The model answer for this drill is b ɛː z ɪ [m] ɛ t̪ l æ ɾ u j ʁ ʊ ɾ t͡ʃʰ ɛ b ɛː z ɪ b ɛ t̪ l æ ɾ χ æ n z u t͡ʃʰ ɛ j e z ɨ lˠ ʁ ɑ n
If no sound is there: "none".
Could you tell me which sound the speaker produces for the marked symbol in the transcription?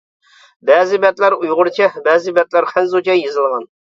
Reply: b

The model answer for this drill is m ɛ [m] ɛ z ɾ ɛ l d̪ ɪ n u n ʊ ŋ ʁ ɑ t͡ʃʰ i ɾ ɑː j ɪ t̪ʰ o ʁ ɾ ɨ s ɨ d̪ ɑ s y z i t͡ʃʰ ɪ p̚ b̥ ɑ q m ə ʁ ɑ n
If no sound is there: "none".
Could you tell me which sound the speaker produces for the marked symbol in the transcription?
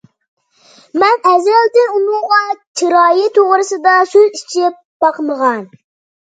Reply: n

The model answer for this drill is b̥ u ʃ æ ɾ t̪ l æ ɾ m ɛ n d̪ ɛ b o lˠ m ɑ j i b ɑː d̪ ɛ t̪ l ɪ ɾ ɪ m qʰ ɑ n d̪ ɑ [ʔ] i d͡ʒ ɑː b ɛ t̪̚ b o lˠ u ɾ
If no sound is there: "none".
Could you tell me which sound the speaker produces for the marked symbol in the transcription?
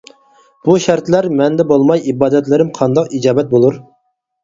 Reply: q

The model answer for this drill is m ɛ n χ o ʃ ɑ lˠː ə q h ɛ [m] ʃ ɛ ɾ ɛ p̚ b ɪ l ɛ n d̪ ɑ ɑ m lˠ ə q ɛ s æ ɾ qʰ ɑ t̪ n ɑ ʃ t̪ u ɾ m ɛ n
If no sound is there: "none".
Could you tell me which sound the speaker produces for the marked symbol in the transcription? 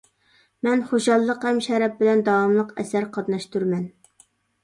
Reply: m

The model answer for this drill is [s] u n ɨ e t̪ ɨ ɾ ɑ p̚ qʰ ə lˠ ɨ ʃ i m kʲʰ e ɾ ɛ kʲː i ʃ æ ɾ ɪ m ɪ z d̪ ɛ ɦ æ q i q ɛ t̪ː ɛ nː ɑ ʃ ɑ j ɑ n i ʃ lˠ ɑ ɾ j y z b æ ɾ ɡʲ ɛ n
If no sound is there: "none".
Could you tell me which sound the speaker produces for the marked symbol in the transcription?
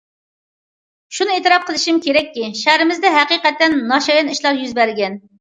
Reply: ʃ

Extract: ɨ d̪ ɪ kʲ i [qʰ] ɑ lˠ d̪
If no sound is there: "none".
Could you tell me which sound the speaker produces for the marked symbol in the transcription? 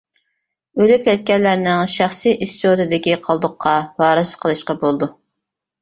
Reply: qʰ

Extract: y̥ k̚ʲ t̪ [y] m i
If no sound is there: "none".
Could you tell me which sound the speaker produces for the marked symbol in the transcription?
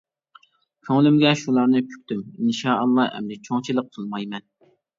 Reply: y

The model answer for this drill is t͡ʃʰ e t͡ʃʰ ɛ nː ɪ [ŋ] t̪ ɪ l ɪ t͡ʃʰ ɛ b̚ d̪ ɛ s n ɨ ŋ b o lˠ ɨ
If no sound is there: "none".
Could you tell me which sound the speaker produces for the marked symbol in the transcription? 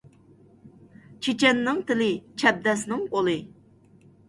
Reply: ŋ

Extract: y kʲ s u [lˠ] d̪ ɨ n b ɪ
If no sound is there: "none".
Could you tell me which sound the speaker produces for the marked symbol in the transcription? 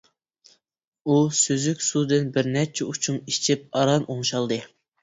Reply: none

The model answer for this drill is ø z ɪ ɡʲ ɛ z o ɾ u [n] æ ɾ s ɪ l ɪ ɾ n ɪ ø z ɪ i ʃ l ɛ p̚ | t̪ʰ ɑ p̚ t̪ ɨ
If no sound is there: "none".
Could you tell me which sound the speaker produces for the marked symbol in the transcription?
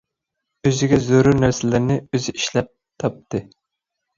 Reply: n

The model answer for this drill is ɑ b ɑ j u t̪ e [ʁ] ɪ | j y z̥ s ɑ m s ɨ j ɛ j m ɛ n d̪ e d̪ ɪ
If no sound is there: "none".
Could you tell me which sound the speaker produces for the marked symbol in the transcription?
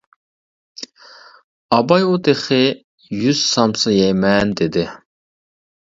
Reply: χ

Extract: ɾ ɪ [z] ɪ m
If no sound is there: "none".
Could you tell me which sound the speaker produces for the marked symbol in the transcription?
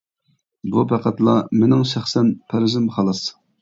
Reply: z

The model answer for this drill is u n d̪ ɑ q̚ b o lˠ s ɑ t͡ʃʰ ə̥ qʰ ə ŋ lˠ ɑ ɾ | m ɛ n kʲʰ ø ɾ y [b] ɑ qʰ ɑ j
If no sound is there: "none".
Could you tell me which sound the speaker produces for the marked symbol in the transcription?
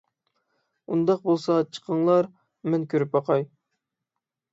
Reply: p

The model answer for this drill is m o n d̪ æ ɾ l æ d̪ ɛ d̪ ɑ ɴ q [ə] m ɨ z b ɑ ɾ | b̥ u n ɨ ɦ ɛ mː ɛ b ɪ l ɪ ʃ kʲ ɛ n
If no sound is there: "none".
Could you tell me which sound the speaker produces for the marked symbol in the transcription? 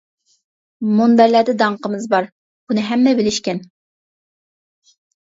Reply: ə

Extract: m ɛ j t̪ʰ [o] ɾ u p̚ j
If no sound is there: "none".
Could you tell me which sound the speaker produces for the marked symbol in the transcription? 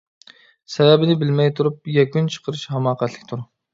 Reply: u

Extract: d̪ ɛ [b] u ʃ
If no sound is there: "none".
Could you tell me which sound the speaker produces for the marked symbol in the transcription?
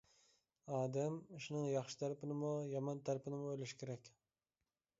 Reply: m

